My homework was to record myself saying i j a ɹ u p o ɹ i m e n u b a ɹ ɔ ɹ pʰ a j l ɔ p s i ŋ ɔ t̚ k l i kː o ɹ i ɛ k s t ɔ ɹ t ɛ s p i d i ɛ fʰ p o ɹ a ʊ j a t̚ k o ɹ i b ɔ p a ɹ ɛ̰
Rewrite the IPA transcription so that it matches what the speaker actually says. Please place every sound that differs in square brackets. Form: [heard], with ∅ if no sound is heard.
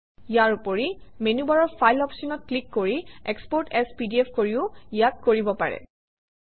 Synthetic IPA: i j a ɹ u p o ɹ i m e n u b a ɹ ɔ ɹ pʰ a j l ɔ p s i [n] ɔ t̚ k l i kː o ɹ i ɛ k s [p] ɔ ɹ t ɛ s p i d i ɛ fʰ [k] o ɹ [i] ʊ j a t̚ k o ɹ i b ɔ p a ɹ ɛ̰